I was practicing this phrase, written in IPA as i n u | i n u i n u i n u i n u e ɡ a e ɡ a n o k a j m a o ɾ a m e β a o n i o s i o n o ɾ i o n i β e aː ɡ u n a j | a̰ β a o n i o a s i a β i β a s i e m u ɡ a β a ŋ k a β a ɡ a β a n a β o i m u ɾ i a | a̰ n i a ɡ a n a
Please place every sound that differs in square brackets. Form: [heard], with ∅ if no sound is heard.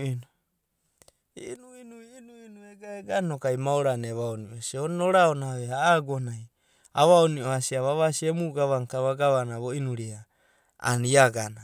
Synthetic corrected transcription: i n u | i n u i n u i n u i n u e ɡ a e ɡ a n o k a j m a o ɾ a [n] e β a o n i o s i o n o ɾ [a] o n [a] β e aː ɡ [o] n a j | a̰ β a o n i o a s i a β [a] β a s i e m u ɡ a β a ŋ k a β a ɡ a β a n a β o i [n] u ɾ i a | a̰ n i a ɡ a n a